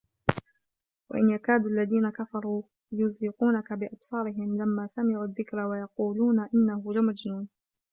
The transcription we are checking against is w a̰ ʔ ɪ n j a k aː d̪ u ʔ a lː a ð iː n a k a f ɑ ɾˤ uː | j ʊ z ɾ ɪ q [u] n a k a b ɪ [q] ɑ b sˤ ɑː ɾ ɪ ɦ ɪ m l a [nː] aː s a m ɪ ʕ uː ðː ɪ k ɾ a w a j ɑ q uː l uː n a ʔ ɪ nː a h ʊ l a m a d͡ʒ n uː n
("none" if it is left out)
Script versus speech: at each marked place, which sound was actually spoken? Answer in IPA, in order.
uː, ʔ, mː

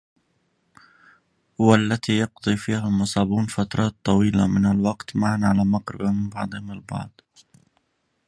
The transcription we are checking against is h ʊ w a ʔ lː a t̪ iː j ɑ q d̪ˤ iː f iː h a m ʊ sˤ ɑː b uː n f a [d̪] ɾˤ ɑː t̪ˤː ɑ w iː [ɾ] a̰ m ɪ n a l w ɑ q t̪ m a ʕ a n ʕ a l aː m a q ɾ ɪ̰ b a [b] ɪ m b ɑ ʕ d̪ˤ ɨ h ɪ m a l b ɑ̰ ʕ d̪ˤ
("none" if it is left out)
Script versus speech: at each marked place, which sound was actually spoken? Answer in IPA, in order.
t̪, l, m

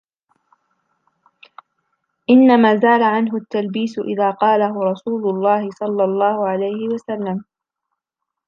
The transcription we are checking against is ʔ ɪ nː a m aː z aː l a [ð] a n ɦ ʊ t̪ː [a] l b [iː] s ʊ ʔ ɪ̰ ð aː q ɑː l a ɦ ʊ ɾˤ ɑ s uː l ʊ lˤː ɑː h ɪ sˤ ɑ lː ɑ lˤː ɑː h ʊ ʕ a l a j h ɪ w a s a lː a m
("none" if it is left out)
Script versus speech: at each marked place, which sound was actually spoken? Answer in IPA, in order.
ʕ, a, iː

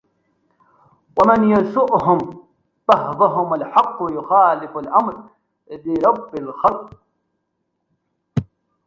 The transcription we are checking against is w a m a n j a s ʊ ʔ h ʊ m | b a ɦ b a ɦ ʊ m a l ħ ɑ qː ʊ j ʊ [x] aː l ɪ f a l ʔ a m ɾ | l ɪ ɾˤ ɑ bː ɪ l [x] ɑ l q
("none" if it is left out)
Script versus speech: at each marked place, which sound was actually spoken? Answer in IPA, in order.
x, x

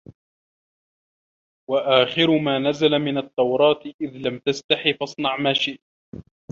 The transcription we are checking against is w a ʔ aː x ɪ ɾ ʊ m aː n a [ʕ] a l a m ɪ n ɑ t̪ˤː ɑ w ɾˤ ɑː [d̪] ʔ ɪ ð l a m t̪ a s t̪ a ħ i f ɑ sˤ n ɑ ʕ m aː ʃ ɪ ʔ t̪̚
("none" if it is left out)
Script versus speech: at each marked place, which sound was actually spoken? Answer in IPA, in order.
z, t̪

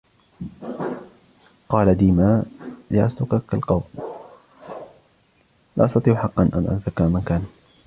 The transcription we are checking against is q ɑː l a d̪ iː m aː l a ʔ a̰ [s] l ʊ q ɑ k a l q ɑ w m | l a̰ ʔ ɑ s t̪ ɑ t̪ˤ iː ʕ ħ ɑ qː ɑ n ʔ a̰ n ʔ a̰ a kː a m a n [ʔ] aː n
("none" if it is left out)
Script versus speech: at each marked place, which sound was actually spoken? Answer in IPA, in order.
s, k

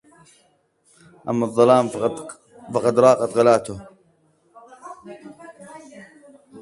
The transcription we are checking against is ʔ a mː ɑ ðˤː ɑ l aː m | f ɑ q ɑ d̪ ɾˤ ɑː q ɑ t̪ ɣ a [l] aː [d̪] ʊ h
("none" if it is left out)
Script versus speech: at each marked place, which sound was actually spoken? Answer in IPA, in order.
l, t̪

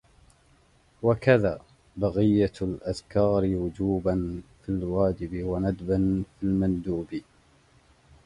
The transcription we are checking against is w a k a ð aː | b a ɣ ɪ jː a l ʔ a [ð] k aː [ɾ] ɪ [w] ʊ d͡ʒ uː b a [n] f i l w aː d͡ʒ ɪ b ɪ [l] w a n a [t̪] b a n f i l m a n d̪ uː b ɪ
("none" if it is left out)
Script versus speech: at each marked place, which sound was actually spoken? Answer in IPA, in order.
ð, ɾ, w, n, none, d̪

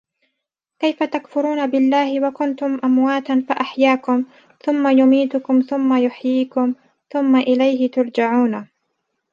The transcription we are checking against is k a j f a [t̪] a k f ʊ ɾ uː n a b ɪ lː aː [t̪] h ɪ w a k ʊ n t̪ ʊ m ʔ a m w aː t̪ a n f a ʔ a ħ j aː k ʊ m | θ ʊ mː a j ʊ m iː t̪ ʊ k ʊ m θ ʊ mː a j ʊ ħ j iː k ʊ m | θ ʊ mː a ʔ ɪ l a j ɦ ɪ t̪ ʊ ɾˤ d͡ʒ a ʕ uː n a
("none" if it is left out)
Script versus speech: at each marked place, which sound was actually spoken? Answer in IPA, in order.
t̪, none

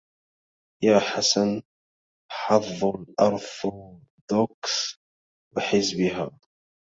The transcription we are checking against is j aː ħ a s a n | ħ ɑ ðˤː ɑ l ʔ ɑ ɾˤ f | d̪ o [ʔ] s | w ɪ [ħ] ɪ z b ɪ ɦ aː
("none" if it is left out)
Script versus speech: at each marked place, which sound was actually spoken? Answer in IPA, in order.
k, ħ

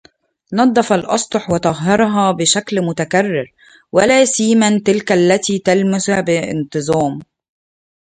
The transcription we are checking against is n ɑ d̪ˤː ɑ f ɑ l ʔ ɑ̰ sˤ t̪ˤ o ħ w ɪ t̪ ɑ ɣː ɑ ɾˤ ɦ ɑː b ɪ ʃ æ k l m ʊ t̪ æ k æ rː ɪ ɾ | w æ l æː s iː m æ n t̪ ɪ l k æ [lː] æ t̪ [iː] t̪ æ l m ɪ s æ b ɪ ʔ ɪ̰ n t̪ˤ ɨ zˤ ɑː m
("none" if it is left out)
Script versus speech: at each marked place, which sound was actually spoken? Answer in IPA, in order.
lː, iː

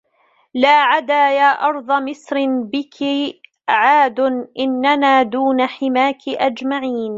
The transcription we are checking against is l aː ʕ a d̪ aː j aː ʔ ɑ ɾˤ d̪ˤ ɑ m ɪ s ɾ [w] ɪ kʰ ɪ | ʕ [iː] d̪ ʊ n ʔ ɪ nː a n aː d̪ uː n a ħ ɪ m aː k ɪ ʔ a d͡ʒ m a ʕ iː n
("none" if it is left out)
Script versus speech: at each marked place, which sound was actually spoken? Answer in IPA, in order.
b, aː

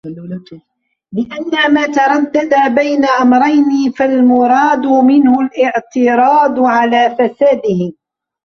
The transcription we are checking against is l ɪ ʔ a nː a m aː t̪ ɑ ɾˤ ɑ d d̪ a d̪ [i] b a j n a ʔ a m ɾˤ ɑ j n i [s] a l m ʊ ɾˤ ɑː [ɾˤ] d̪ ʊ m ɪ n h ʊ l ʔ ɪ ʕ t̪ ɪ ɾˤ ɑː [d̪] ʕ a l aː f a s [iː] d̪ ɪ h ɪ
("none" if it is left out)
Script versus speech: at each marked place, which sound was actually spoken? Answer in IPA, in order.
a, f, none, d̪, aː

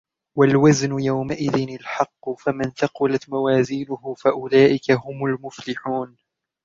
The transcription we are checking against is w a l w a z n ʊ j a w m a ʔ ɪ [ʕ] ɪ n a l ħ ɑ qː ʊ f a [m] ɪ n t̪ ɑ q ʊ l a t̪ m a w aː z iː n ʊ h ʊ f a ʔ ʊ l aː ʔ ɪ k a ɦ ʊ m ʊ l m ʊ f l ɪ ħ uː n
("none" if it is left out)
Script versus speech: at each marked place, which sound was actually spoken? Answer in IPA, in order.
ð, m

